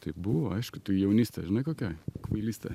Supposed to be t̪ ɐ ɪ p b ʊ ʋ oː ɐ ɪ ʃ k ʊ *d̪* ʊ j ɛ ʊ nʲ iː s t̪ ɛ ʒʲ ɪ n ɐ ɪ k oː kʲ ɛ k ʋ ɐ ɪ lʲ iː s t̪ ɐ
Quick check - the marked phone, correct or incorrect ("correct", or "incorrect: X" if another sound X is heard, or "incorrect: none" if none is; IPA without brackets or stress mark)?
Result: incorrect: t̪